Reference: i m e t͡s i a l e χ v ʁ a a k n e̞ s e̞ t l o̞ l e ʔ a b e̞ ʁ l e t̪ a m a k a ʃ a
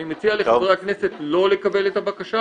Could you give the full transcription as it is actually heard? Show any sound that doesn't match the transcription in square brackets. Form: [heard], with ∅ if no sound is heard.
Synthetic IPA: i m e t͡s i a l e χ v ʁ [e] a k n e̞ s e̞ t l o̞ l e [k] a b e̞ [∅] l e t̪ a [b] a k a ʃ a